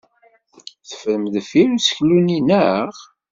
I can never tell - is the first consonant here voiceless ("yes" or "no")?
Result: yes